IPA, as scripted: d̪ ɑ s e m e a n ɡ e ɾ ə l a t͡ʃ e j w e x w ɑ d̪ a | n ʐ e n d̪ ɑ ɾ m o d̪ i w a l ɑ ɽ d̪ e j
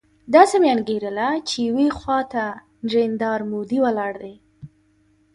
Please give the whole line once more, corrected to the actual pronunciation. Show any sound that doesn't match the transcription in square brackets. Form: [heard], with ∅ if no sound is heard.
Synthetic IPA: d̪ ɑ s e m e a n ɡ e ɾ ə l a t͡ʃ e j w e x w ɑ [t̪] a | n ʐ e n d̪ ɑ ɾ m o d̪ i w a l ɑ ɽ d̪ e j